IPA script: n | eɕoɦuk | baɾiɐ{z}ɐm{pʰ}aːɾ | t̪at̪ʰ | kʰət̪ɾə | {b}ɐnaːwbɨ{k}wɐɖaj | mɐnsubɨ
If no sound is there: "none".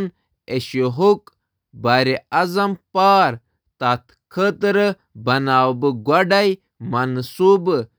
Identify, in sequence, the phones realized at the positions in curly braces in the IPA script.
z, p, b, ɡ

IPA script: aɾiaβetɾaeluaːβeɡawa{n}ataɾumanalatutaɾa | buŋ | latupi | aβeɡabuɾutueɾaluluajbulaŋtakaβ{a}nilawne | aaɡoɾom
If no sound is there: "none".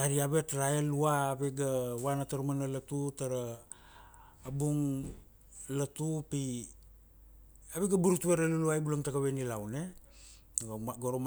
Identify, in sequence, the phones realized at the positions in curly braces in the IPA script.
n, e

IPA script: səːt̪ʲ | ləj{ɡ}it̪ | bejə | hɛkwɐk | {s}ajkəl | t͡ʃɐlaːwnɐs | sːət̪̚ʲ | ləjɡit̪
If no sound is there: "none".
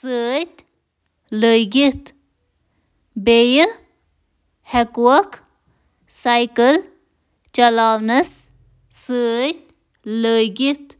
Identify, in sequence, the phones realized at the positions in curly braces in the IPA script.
ɡ, s

